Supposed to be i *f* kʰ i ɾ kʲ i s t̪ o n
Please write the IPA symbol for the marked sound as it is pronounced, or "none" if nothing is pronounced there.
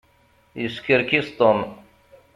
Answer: s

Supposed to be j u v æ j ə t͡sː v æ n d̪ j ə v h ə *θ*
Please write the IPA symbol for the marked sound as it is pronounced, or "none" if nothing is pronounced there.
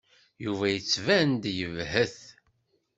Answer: θ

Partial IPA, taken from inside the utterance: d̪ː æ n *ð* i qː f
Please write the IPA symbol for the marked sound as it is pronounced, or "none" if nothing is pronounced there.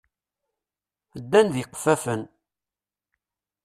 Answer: ð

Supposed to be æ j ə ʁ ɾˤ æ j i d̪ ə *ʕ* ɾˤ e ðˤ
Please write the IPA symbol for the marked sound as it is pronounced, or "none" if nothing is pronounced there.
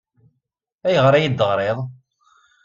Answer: ʁ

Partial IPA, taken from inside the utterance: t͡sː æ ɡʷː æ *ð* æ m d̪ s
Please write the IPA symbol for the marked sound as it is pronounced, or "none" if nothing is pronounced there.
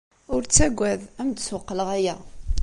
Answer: ð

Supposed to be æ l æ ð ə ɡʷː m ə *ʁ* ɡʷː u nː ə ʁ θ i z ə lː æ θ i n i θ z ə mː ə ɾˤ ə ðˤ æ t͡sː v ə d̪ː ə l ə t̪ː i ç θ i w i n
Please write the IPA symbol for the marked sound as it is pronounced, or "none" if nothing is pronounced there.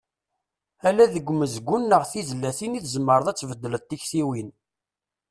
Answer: z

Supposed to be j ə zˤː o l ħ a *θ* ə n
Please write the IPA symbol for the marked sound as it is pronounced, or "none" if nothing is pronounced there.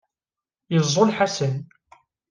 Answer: s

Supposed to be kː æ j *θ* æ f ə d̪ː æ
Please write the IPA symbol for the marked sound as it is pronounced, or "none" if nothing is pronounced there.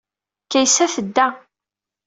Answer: s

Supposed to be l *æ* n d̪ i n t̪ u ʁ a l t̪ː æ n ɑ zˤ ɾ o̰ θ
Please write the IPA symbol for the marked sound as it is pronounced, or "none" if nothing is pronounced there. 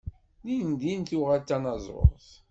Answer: i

